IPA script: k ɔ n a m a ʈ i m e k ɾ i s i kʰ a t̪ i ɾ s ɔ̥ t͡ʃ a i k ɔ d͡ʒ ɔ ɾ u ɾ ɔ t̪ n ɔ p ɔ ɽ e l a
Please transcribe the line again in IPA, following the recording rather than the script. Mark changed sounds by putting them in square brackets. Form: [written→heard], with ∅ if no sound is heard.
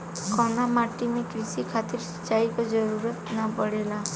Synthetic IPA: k ɔ n a m a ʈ i m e k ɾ i s i kʰ a t̪ i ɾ s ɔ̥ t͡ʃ a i k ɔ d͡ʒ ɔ ɾ u ɾ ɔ t̪ n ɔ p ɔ ɽ e l a